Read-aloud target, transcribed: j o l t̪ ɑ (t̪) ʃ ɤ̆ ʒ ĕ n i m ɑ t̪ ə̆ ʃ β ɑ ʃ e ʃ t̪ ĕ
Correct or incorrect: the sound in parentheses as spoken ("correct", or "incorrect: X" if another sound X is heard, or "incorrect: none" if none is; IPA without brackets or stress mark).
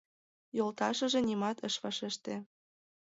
incorrect: none